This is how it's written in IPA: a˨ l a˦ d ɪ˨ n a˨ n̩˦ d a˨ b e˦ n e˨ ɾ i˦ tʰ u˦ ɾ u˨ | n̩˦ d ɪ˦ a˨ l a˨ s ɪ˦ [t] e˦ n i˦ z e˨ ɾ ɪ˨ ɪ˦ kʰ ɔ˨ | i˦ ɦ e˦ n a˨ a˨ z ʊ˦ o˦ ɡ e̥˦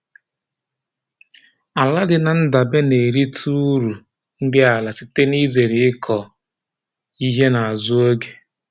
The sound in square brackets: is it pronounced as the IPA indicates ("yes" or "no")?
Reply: yes